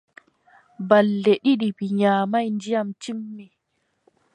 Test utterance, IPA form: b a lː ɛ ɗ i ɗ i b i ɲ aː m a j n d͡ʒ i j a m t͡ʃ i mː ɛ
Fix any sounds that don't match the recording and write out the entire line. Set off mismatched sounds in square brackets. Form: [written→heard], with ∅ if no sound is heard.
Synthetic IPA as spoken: b a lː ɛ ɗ i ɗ i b i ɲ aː m a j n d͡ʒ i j a m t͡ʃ i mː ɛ